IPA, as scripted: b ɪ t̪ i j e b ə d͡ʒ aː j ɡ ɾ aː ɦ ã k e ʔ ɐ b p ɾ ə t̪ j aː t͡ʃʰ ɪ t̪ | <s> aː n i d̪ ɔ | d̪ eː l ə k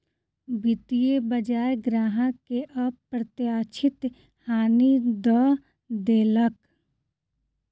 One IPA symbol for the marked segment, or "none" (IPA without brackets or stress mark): h